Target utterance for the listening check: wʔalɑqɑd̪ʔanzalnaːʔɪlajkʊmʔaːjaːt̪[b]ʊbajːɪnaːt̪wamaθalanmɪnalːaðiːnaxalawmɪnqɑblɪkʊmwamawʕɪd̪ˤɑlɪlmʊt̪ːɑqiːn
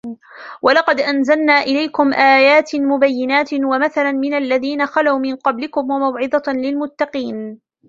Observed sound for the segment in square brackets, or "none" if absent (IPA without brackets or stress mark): m